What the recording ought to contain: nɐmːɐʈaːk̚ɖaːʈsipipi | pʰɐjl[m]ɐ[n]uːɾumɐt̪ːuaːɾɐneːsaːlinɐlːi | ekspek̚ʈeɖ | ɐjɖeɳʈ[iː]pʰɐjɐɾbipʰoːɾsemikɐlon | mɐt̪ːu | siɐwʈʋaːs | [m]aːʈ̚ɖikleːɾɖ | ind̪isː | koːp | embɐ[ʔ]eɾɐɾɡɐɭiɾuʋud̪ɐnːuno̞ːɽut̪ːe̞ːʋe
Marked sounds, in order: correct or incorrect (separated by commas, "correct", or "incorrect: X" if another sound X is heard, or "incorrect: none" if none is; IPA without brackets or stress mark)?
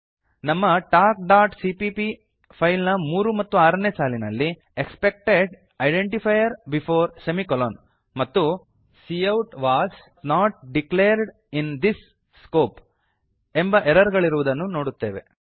incorrect: n, incorrect: m, incorrect: i, incorrect: n, correct